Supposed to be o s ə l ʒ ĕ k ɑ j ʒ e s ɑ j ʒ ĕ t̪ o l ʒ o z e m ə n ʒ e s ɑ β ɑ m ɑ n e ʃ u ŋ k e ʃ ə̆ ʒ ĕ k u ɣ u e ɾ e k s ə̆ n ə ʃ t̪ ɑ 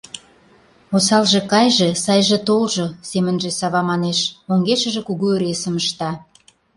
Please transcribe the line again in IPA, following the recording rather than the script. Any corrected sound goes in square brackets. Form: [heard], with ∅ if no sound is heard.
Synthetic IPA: o s [ɑ] l ʒ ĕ k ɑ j ʒ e s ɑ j ʒ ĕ t̪ o l ʒ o [s] e m ə n ʒ e s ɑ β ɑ m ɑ n e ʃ [o] ŋ [ɡ] e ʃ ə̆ ʒ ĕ k u ɣ u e ɾ e [∅] s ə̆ [m] ə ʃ t̪ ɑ